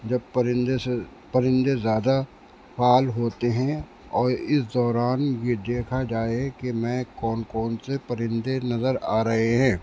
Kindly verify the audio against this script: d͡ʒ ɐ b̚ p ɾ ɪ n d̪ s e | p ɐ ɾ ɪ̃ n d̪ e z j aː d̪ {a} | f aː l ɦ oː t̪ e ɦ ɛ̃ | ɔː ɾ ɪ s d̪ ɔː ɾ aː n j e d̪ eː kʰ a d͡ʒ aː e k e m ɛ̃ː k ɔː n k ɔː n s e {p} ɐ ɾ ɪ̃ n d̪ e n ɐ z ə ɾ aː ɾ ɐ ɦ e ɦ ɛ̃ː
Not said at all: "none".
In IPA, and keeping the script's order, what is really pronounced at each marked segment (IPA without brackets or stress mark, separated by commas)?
a, p